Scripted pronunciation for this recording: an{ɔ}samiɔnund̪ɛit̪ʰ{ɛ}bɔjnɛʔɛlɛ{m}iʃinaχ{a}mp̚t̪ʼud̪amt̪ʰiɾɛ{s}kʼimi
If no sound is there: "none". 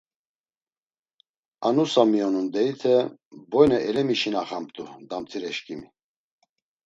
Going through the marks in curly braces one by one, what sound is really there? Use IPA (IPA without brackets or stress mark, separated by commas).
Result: u, ɛ, m, a, ʃ